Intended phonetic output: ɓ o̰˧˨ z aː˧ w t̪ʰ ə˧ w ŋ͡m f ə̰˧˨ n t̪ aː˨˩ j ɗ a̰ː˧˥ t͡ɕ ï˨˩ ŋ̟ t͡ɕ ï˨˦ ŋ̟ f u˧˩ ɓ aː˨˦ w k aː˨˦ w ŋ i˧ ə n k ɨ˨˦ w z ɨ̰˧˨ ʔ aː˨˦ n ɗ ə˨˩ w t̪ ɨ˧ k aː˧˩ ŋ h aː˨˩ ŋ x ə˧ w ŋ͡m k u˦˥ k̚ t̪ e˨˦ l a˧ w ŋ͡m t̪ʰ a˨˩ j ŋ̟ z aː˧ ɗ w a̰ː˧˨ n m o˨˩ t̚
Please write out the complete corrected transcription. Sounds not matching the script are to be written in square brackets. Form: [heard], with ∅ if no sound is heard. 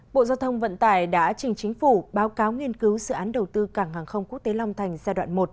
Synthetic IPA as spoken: ɓ o̰˧˨ z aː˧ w t̪ʰ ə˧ w ŋ͡m [v] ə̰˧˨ n t̪ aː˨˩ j ɗ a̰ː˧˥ t͡ɕ ï˨˩ ŋ̟ t͡ɕ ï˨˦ ŋ̟ f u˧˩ ɓ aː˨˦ w k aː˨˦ w ŋ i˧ ə n k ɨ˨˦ w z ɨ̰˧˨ ʔ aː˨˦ n ɗ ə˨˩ w t̪ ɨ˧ k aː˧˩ ŋ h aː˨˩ ŋ x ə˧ w ŋ͡m k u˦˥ k̚ t̪ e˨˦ l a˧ w ŋ͡m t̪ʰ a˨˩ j ŋ̟ z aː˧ ɗ w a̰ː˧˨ n m o˨˩ t̚